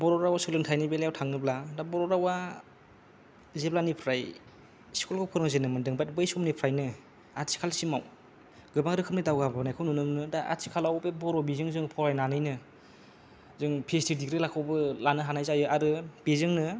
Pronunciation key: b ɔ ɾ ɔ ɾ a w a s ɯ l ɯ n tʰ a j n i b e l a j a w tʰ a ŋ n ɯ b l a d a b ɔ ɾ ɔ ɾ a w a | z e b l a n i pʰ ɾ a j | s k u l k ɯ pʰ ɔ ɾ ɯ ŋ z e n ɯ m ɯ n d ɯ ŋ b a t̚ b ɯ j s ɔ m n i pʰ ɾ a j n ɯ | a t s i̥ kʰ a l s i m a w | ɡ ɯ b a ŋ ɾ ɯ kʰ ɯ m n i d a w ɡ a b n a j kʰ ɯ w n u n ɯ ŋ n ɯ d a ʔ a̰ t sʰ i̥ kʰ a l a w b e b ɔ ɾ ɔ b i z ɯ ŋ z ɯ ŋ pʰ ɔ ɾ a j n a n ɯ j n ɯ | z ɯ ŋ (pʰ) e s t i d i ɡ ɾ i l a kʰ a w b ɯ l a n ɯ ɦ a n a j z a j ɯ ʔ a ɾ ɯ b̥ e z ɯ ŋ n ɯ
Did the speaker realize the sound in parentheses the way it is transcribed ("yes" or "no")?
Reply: yes